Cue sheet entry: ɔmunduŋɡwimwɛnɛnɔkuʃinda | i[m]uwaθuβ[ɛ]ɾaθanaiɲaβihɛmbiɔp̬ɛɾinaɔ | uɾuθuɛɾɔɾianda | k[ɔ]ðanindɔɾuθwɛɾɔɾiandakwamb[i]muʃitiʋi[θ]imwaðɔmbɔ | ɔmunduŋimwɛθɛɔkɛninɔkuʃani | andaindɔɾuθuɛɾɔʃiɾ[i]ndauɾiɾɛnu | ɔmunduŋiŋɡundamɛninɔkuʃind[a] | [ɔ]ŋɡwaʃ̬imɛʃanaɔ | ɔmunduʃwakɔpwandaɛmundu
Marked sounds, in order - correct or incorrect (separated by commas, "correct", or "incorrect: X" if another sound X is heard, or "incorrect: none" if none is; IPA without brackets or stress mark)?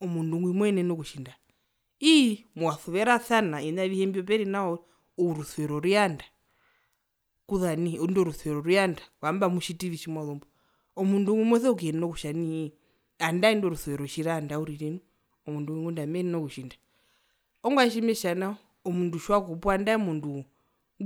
correct, correct, incorrect: u, incorrect: a, incorrect: ʃ, incorrect: a, correct, correct